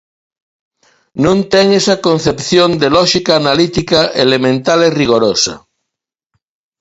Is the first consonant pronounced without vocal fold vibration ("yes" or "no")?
no